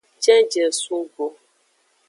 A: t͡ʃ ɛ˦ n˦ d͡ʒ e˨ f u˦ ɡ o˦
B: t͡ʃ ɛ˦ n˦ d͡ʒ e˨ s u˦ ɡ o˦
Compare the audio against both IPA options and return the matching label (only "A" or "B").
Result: B